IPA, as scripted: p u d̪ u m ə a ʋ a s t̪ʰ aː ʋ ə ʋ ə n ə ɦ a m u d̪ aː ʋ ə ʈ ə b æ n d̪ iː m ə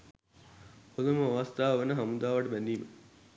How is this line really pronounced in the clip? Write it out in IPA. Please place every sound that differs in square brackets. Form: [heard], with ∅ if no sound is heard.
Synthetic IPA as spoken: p [o] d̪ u m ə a ʋ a s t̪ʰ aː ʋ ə ʋ ə n ə ɦ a m u d̪ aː ʋ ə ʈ ə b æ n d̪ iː m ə